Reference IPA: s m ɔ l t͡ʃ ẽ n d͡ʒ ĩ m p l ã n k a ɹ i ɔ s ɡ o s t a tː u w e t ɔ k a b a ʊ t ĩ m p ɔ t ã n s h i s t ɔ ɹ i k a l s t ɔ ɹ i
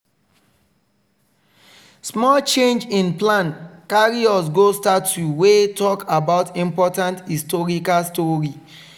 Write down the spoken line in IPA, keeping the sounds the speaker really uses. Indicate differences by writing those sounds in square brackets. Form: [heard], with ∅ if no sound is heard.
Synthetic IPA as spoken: s m ɔ l t͡ʃ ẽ n d͡ʒ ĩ [n] p l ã n k a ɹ i ɔ s ɡ o s t a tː u w e t ɔ k a b a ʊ t ĩ m p ɔ t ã n [t] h i s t ɔ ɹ i k a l s t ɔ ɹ i